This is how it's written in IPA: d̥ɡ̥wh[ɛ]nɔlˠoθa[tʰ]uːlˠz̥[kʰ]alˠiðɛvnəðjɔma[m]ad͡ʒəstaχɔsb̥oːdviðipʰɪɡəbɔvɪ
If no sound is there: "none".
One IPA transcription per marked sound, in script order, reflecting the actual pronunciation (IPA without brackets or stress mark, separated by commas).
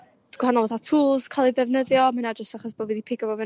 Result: a, tʰ, kʰ, n